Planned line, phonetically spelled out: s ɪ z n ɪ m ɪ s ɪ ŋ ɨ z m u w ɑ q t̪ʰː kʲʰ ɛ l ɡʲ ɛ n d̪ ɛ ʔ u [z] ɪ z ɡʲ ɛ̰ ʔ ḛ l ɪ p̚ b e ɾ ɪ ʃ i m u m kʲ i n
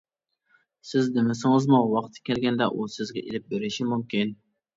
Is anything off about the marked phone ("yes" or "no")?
yes